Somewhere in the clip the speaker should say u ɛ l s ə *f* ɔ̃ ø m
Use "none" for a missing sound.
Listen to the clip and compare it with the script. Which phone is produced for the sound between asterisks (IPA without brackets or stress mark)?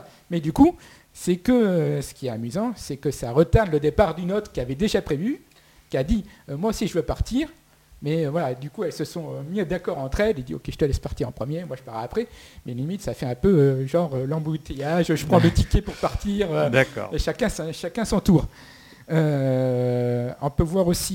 s